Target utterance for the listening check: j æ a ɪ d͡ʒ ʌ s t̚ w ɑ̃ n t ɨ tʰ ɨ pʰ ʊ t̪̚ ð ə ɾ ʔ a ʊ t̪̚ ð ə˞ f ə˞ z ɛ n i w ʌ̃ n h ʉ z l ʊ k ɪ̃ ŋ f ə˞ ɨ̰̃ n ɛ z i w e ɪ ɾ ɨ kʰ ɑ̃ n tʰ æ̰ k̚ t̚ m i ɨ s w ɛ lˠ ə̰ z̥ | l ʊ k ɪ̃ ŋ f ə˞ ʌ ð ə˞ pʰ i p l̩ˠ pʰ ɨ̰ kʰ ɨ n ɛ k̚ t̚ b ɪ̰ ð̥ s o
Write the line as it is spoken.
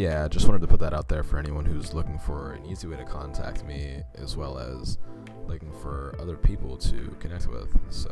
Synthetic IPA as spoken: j æ a ɪ d͡ʒ ʌ s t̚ w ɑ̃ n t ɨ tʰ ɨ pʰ ʊ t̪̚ ð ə ɾ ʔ a ʊ t̪̚ ð ə˞ f ə˞ ɛ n i w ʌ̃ n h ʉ z l ʊ k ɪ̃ ŋ f ə˞ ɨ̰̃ n i z i w e ɪ ɾ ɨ kʰ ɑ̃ n tʰ æ̰ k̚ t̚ m i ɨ z w ɛ lˠ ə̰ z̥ | l ʊ k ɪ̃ ŋ f ə˞ ʌ ð ə˞ pʰ i p l̩ˠ tʰ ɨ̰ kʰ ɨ n ɛ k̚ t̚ w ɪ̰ ð̥ s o

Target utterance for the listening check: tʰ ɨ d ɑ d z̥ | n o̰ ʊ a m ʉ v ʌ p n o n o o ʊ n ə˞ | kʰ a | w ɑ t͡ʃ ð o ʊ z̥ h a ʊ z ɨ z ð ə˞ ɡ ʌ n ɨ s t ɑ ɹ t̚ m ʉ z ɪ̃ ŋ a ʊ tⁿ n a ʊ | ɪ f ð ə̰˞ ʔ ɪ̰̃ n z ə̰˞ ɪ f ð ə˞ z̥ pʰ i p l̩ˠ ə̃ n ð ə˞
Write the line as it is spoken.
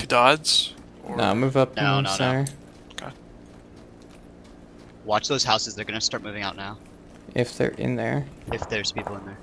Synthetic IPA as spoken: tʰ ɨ d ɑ d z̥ | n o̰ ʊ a m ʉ v ʌ p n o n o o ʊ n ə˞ | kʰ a | w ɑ t͡ʃ ð o ʊ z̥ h a ʊ s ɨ z ð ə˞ ɡ ʌ n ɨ s t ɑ ɹ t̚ m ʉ v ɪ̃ ŋ a ʊ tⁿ n a ʊ | ɪ f ð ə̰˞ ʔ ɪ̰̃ n ð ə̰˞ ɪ f ð ə˞ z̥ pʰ i p l̩ˠ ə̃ n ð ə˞

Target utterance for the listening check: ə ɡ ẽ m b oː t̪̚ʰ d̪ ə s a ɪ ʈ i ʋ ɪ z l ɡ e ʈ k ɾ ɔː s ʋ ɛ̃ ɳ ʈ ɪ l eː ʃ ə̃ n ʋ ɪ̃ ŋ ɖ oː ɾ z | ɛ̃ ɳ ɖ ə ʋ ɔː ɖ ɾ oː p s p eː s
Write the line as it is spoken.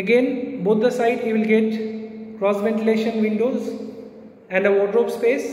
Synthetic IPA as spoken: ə ɡ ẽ n b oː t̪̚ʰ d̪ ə s a ɪ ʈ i ʋ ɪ l ɡ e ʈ k ɾ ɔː s ʋ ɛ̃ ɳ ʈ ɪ l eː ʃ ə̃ n ʋ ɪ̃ ɳ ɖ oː z | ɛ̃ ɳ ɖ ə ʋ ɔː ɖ ɾ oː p s p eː s

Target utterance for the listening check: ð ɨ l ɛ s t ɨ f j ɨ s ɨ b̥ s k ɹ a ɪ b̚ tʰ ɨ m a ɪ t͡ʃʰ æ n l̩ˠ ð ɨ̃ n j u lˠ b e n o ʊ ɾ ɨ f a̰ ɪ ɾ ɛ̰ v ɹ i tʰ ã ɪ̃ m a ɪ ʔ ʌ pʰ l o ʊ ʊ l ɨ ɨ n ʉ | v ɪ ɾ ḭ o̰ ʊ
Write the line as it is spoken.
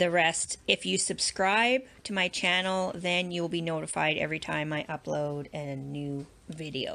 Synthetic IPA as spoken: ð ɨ ɹ ɛ s t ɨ f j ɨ s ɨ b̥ s k ɹ a ɪ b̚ tʰ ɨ m a ɪ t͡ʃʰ æ n l̩ˠ ð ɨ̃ n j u lˠ b i n o ʊ ɾ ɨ f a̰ ɪ ɾ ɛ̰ v ɹ i tʰ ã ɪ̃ m a ɪ ʔ ʌ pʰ l o ʊ ʊ ɾ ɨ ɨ n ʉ | v ɪ ɾ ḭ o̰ ʊ

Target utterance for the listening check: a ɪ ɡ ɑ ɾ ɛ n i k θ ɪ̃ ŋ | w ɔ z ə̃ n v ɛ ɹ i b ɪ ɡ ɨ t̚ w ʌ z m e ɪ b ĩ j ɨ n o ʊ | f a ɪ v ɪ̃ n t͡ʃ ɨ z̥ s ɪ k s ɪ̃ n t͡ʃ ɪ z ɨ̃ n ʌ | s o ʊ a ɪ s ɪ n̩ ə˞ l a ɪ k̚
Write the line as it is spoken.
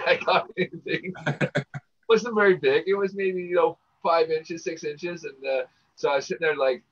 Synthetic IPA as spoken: a ɪ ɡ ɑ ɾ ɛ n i θ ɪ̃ ŋ | w ʌ z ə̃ n v ɛ ɹ i b ɪ ɡ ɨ t̚ w ʌ z m e ɪ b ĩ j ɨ n o ʊ | f a ɪ v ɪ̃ n t͡ʃ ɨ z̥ s ɪ k s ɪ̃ n t͡ʃ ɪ z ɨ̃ n ʌ | s o ʊ a ɪ s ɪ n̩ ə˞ l a ɪ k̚

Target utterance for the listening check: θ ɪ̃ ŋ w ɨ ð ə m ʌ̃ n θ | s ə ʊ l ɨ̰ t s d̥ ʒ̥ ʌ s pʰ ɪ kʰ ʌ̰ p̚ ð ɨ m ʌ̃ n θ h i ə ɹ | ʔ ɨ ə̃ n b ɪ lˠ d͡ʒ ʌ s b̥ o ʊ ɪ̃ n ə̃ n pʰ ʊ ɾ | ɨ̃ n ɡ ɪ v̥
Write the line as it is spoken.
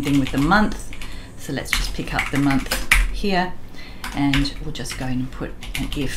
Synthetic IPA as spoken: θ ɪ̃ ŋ w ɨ ð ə m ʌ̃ n θ | s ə ʊ l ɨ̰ t s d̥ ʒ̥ ʌ s pʰ ɪ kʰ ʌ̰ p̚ ð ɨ m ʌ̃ n θ h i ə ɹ | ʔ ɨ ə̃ n w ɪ lˠ d͡ʒ ʌ s ɡ̥ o ʊ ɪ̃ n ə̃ n pʰ ʊ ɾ | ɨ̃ n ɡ ɪ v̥

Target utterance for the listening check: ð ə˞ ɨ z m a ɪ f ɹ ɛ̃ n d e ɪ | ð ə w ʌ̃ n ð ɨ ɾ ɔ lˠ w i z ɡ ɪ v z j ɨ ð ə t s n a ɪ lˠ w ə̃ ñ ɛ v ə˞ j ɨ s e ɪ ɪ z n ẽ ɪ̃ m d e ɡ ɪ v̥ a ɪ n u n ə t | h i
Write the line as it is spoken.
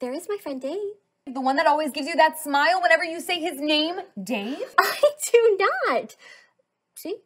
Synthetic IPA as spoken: ð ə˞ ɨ z m a ɪ f ɹ ɛ̃ n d e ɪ | ð ə w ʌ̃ n ð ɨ ɾ ɔ lˠ w i z ɡ ɪ v z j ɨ ð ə t s m a ɪ lˠ w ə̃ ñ ɛ v ə˞ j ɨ s e ɪ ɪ z n ẽ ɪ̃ m d e ɪ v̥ a ɪ d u n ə t | ʃ i

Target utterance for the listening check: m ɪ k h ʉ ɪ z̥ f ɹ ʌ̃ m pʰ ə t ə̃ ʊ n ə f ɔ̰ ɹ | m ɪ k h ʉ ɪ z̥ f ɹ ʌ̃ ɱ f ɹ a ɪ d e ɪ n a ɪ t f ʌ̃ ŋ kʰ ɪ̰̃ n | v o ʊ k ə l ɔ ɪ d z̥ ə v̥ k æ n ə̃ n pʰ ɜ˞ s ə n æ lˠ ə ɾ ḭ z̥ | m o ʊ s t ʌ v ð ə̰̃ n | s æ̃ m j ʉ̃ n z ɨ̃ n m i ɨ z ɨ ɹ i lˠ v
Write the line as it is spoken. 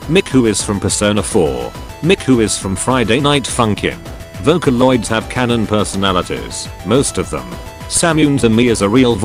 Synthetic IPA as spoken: m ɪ k h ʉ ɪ z̥ f ɹ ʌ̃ m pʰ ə s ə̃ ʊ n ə f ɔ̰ ɹ | m ɪ k h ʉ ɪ z̥ f ɹ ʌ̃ ɱ f ɹ a ɪ d e ɪ n a ɪ t f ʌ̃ ŋ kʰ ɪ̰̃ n | v o ʊ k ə l ɔ ɪ d z̥ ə v̥ kʰ æ n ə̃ n pʰ ɜ˞ s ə n æ lˠ ə ɾ ḭ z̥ | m o ʊ s t ʌ v ð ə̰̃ m | s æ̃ m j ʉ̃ n z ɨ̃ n m i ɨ z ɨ ɹ i lˠ v

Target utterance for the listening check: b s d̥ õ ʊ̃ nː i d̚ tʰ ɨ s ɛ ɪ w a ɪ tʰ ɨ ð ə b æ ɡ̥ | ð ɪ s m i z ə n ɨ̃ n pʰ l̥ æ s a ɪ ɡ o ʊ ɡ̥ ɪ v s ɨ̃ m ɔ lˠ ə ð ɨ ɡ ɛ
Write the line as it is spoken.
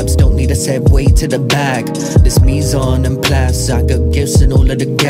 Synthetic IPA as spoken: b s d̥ õ ʊ̃ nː i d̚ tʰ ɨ s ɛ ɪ w e ɪ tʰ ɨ ð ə b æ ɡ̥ | ð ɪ s m i z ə n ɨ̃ n pʰ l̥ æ s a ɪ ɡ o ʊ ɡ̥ ɪ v s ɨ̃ n ɔ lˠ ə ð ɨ ɡ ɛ

